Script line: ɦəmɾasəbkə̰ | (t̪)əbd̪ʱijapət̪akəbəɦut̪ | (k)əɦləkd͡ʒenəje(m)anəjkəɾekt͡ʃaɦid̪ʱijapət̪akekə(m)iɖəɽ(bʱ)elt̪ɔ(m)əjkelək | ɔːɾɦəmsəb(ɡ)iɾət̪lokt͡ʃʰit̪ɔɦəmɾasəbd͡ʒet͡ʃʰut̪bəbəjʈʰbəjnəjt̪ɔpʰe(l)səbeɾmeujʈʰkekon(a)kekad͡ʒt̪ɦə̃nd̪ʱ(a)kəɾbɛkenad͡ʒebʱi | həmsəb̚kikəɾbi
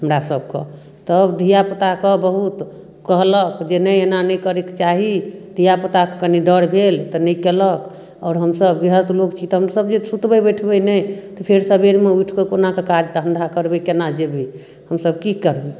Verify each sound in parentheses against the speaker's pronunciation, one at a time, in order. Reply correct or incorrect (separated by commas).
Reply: correct, correct, incorrect, incorrect, correct, incorrect, correct, incorrect, correct, correct